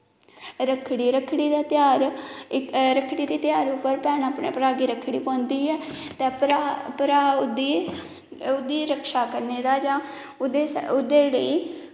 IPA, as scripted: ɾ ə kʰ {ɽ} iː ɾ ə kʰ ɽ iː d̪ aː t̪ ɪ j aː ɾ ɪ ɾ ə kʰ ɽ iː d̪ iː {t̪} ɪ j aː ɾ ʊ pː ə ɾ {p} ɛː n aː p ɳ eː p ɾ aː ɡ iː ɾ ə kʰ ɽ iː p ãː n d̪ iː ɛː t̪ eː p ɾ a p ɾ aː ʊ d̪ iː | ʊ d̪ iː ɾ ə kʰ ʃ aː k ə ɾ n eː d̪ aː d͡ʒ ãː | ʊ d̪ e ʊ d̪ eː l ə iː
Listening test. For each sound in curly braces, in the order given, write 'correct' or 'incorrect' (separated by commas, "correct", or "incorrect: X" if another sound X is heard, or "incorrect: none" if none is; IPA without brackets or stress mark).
correct, correct, correct